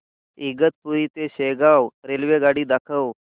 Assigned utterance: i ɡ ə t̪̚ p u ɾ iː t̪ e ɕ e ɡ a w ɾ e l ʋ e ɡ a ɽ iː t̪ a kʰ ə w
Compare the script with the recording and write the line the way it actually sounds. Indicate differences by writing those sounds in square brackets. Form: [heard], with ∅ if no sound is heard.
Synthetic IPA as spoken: i ɡ ə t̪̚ p u ɾ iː t̪ e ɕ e ɡ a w ɾ e l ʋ e ɡ a ɽ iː [d̪] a kʰ ə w